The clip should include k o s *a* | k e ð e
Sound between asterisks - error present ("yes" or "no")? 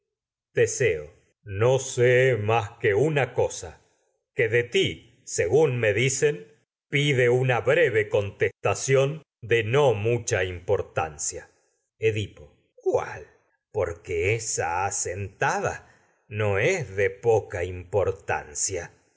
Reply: no